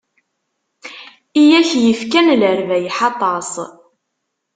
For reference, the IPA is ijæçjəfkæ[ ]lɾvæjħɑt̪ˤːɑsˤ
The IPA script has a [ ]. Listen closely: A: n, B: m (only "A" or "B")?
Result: A